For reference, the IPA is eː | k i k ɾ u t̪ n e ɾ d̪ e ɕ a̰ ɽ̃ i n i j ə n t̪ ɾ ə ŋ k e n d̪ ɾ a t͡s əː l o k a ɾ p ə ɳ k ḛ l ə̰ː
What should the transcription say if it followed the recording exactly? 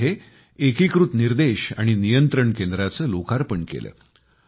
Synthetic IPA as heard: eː | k i k ɾ u t̪ n i ɾ d̪ e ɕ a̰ ɽ̃ i n i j ə n t̪ ɾ ə ɳ k e n d̪ ɾ a t͡s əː l o k a ɾ p ə ɳ k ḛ l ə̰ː